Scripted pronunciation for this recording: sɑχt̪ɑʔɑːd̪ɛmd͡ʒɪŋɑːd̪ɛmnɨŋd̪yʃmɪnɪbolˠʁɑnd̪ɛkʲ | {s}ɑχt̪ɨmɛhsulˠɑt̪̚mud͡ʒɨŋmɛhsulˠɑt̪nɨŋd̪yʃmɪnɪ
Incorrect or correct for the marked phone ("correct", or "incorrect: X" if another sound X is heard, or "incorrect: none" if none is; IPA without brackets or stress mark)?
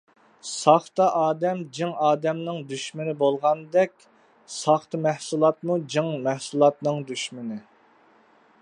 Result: correct